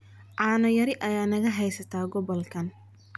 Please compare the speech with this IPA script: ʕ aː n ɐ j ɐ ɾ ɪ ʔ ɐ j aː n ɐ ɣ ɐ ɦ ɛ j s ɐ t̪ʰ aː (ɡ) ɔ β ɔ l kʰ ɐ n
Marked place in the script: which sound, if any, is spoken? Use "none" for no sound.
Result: ɡ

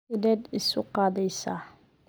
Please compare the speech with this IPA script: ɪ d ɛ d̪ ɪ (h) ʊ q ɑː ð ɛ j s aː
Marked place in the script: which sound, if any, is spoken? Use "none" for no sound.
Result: s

